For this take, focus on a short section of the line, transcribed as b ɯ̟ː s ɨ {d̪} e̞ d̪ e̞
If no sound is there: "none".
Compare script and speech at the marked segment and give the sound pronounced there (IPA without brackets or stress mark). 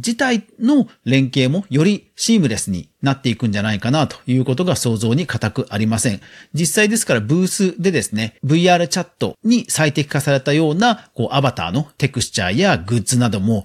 d̪